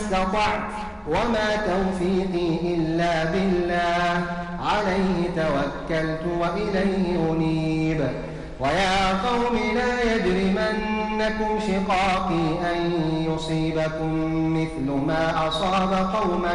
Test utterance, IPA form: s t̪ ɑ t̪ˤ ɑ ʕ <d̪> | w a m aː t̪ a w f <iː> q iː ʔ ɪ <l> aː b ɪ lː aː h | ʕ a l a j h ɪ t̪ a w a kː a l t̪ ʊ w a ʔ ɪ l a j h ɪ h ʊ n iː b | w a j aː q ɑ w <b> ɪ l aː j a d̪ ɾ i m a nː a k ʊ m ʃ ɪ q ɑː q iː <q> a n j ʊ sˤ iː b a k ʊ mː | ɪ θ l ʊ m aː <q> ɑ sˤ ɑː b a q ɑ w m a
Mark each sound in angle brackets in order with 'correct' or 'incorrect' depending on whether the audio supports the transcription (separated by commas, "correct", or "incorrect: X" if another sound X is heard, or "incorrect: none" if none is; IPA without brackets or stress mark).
incorrect: t̪, correct, incorrect: lː, incorrect: m, incorrect: ʔ, incorrect: ʔ